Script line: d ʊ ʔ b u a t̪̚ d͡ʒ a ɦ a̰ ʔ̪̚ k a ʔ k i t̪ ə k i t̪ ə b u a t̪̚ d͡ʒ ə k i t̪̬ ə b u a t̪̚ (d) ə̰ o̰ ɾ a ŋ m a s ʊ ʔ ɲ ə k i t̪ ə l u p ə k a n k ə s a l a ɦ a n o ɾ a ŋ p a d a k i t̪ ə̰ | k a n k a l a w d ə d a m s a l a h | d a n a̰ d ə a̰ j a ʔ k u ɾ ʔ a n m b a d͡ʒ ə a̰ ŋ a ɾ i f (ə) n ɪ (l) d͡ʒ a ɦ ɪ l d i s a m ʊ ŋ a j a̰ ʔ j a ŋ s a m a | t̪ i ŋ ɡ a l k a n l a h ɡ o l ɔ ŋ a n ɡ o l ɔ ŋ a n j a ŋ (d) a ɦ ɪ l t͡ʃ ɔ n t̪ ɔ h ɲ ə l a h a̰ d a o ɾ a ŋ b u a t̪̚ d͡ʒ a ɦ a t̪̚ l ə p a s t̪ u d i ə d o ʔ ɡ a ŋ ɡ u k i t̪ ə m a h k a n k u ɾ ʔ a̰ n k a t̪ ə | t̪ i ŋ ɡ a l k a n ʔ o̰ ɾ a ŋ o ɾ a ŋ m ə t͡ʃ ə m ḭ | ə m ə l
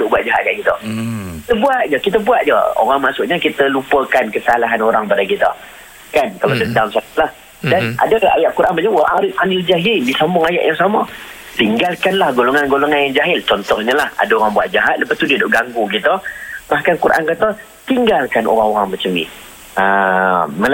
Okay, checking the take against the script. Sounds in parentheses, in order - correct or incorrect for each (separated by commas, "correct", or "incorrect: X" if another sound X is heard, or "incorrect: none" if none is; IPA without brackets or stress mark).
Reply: incorrect: d͡ʒ, incorrect: a, correct, incorrect: d͡ʒ